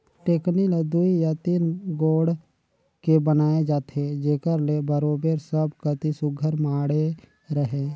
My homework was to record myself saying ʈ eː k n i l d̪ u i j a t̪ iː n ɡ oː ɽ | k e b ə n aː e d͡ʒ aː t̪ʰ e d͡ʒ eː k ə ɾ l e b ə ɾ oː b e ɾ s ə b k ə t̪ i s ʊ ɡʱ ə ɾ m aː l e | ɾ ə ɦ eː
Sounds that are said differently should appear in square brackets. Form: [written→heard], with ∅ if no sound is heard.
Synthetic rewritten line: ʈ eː k n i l d̪ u i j a t̪ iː n ɡ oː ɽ | k e b ə n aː e d͡ʒ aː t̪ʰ e d͡ʒ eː k ə ɾ l e b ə ɾ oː b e ɾ s ə b k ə t̪ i s ʊ ɡʱ ə ɾ m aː [l→ɽ] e | ɾ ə ɦ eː